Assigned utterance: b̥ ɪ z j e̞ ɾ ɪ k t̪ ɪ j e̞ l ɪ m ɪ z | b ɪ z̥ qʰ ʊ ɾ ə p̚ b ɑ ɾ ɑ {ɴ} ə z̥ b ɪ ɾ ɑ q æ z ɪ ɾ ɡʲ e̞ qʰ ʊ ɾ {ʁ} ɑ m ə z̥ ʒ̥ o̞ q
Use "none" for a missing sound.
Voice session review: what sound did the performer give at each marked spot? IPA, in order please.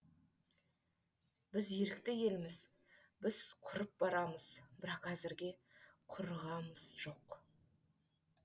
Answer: m, ʁ

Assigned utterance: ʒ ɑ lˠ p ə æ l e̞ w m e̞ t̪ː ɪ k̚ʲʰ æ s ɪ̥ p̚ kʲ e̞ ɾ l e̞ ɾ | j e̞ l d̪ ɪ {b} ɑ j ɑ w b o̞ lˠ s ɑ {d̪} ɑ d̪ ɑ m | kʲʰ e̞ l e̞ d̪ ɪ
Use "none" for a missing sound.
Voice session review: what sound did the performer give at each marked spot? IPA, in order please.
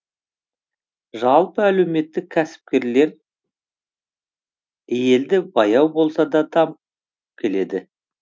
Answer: b, d̪

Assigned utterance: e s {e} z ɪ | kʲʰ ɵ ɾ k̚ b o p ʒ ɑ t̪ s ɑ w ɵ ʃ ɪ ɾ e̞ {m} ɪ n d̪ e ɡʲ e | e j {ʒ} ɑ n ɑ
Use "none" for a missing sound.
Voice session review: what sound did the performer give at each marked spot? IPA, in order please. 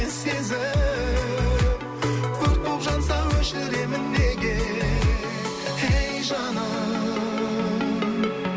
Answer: e, m, ʒ

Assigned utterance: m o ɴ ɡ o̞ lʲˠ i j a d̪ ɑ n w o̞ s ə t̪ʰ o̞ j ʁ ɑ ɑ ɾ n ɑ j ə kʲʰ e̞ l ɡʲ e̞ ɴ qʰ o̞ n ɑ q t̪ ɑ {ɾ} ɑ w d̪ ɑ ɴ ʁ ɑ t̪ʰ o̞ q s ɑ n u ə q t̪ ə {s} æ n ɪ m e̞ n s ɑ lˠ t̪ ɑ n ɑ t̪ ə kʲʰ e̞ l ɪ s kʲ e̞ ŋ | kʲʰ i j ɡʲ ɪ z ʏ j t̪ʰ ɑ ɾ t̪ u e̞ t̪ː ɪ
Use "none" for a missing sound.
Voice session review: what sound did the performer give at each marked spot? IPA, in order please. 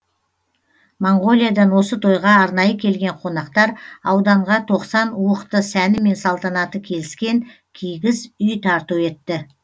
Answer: ɾ, s

